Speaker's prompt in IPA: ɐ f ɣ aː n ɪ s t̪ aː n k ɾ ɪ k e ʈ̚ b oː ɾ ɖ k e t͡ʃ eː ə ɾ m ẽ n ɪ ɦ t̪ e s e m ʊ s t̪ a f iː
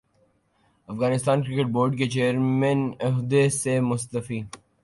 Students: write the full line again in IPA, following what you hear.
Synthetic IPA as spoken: ɐ f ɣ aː n ɪ s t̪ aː n k ɾ ɪ k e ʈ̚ b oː ɾ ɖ k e t͡ʃ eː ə ɾ m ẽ n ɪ ɦ d̪ e s e m ʊ s t̪ ə f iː